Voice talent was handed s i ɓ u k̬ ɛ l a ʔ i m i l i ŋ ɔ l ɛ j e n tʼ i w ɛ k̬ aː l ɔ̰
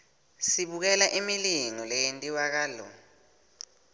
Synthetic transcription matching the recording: s i ɓ u k̬ ɛ l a ʔ i m i l i ŋ ɔ l ɛ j e n tʼ i w a k̬ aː l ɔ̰